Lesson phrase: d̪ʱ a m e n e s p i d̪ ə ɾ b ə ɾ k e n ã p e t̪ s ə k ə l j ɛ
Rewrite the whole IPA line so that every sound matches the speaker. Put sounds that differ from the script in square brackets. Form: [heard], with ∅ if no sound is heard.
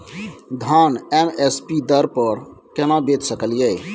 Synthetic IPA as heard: d̪ʱ a [n] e [m] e s p i d̪ ə ɾ [p] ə ɾ k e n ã [b] e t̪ s ə k ə l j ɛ